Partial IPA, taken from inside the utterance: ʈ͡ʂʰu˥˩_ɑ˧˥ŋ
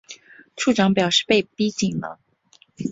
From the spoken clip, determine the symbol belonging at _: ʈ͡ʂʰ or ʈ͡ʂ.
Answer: ʈ͡ʂ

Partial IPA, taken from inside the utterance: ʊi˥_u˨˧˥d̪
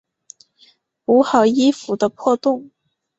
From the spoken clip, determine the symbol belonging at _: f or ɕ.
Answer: f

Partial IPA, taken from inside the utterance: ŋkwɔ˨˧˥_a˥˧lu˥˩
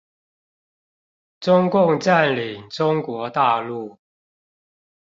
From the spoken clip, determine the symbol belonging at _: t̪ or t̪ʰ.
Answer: t̪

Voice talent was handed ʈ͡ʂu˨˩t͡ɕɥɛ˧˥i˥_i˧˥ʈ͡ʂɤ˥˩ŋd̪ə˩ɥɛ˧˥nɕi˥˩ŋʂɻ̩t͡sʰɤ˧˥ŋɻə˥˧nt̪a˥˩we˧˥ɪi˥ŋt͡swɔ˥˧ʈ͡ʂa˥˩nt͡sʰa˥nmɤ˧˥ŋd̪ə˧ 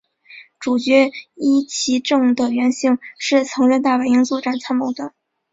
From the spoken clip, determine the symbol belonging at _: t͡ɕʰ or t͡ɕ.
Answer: t͡ɕʰ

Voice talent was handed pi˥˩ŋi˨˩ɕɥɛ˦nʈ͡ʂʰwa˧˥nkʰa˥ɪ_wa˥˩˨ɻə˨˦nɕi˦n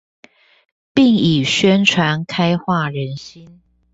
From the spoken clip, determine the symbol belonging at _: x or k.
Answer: x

